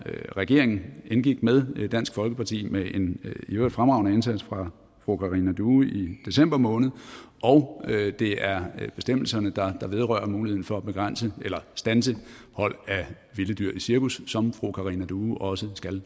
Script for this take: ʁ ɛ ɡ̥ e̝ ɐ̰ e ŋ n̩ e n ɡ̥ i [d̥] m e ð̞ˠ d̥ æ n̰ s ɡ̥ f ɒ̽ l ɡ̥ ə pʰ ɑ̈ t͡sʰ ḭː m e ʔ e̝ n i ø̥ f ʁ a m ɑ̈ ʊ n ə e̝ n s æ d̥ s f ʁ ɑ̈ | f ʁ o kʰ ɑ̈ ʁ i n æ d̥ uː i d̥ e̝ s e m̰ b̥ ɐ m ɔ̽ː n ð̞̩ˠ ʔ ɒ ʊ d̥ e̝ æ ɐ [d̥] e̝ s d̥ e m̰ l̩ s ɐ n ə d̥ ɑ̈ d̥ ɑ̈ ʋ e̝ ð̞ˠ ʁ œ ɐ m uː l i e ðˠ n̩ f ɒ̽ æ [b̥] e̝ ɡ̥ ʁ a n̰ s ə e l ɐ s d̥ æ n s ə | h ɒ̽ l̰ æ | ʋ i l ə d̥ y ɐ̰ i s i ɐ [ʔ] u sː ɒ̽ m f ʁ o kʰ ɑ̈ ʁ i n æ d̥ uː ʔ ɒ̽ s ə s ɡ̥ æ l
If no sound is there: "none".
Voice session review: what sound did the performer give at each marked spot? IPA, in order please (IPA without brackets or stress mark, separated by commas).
ɡ̥, b̥, b̥, k